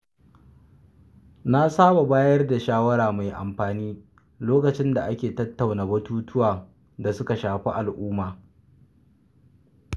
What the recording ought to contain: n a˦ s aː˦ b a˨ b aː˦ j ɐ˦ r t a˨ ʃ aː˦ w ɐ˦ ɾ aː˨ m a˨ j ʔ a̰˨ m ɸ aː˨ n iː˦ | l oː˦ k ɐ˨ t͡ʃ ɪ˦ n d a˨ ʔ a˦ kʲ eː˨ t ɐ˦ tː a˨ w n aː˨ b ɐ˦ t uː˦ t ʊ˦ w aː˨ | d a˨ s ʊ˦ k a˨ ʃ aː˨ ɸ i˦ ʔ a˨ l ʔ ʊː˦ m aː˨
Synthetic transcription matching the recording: n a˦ s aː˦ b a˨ b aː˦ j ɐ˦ r d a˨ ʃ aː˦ w ɐ˦ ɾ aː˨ m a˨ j ʔ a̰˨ m ɸ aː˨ n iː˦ | l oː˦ k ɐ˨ t͡ʃ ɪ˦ n d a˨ ʔ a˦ kʲ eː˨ t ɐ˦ tː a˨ w n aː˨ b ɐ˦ t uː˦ t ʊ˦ w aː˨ | d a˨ s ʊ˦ k a˨ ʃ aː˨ ɸ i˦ ʔ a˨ l ʔ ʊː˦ m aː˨